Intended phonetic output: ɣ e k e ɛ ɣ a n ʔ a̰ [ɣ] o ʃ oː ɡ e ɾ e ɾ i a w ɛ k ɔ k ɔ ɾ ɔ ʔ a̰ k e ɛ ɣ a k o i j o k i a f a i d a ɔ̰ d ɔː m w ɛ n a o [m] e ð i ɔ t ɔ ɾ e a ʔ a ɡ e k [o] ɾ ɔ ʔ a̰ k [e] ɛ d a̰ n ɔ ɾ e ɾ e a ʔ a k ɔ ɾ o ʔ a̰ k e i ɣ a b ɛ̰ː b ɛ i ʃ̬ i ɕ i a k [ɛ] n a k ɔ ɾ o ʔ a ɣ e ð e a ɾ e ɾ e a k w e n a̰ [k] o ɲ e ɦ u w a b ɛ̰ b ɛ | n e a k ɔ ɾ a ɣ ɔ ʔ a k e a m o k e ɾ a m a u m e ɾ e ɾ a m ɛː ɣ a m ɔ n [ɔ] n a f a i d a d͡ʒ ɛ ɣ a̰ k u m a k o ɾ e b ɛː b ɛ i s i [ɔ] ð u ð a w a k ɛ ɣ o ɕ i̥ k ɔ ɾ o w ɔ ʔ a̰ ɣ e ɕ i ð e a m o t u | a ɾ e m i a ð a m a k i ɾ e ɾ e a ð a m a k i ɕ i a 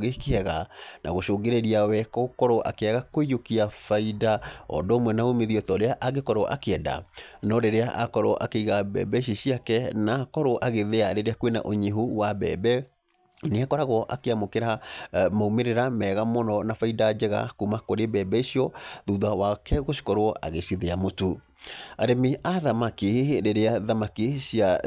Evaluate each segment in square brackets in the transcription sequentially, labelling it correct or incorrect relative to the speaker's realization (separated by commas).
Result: correct, correct, incorrect, correct, correct, incorrect, correct, correct